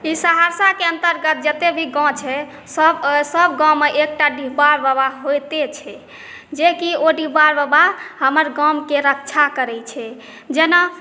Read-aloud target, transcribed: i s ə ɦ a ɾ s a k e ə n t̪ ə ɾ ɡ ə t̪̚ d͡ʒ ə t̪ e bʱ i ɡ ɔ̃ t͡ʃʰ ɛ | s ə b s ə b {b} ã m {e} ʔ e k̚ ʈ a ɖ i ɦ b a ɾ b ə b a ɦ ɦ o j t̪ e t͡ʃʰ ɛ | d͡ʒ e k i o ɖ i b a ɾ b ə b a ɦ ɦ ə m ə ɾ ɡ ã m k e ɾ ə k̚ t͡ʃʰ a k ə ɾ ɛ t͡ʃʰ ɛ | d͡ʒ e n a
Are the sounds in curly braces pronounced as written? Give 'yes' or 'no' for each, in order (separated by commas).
no, yes